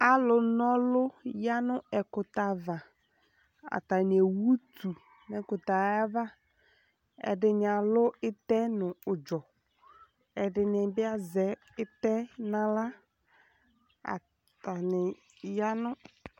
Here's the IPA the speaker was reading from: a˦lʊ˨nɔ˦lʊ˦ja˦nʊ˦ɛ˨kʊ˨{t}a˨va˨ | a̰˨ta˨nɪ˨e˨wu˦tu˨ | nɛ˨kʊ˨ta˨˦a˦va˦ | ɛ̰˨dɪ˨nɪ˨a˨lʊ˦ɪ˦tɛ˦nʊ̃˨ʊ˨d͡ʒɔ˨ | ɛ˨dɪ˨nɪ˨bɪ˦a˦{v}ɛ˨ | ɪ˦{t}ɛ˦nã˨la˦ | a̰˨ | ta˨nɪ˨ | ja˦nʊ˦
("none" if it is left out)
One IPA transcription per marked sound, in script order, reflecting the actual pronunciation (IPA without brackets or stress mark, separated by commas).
t, z, t